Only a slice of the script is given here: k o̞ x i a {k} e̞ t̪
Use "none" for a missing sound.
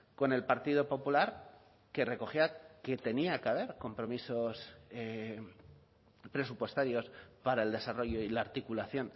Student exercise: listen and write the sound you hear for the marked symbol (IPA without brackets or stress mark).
k